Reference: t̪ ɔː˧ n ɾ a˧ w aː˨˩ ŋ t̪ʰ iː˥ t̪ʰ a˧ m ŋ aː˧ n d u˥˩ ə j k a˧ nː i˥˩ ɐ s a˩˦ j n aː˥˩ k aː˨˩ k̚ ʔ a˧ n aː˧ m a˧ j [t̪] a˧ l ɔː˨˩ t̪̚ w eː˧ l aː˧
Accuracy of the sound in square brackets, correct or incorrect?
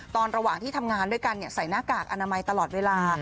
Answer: correct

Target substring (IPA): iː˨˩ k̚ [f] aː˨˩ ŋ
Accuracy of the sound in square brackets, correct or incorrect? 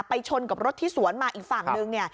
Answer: correct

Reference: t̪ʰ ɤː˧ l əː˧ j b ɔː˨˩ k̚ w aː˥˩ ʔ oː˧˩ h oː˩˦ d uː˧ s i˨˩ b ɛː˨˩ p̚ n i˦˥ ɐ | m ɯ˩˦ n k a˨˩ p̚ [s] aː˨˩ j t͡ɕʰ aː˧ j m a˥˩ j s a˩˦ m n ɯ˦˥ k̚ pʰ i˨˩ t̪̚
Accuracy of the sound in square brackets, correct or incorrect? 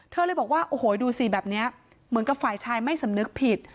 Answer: incorrect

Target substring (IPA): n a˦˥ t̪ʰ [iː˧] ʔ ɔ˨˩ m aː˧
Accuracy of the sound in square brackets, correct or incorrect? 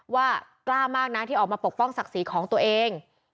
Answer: incorrect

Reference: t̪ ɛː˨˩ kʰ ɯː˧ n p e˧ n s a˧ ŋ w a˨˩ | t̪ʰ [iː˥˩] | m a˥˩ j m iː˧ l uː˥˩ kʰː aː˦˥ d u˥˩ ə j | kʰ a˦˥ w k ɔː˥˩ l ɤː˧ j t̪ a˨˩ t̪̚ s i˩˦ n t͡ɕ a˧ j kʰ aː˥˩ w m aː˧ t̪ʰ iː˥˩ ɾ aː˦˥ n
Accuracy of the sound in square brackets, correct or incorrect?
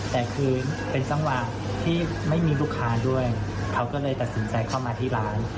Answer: correct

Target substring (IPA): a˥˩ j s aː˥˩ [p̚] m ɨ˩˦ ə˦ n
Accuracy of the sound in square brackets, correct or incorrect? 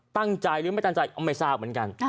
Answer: correct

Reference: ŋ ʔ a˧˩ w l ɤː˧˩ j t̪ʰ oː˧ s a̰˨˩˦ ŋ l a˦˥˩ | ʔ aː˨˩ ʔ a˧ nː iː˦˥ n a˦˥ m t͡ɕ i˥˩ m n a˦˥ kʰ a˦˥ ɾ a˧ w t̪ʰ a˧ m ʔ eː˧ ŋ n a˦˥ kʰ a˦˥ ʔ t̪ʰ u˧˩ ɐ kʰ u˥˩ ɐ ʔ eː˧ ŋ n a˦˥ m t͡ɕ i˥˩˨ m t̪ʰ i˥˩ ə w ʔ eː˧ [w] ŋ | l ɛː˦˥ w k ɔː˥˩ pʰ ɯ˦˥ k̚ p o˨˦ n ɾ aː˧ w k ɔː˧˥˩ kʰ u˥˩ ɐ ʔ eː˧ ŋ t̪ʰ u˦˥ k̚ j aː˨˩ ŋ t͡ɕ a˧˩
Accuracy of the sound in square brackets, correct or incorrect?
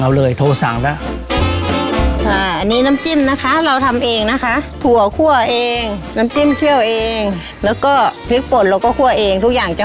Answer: incorrect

